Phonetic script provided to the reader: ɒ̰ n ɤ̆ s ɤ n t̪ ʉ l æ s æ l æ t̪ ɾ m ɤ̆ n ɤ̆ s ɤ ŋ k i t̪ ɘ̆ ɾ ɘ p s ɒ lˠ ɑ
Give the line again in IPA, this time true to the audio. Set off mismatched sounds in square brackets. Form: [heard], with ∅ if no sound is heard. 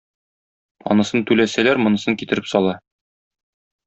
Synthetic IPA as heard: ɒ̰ n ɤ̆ s ɤ n t̪ ʉ l æ s æ l æ [∅] ɾ m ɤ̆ n ɤ̆ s ɤ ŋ k i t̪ ɘ̆ ɾ ɘ p s ɒ lˠ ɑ